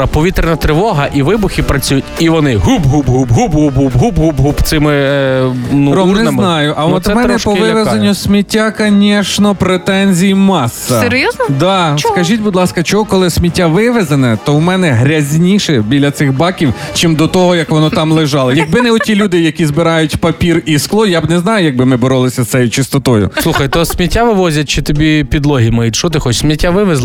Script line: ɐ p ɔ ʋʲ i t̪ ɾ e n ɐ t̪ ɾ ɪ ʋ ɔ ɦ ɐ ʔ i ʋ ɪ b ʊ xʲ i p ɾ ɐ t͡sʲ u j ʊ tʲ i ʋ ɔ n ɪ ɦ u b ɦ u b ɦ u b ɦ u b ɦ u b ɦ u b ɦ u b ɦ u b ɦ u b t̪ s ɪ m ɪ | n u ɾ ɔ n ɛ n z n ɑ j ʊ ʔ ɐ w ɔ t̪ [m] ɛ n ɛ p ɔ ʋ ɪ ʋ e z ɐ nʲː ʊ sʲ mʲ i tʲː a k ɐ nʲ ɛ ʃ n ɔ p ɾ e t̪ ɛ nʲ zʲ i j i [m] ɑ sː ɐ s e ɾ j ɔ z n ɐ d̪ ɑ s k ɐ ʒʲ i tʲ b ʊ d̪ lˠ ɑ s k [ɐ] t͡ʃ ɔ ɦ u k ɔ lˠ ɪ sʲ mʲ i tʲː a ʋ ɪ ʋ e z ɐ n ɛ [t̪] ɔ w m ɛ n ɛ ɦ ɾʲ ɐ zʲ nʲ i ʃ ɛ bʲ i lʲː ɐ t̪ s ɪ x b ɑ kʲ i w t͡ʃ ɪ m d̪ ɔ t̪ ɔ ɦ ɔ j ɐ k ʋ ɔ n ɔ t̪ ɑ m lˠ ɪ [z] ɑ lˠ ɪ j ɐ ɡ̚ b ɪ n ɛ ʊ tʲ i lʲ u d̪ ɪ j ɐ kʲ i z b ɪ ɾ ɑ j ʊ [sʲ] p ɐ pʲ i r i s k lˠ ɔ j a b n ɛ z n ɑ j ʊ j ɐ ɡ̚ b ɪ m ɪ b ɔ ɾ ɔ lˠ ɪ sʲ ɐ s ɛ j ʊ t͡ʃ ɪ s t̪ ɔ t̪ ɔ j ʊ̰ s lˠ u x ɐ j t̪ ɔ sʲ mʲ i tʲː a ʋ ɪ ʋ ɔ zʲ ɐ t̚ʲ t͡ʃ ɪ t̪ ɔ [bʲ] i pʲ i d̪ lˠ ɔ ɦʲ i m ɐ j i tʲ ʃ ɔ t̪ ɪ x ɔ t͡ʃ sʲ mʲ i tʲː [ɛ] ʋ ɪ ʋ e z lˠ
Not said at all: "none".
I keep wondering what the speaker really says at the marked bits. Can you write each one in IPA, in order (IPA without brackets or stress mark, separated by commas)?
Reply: m, m, ɐ, t̪, ʒ, tʲ, bʲ, a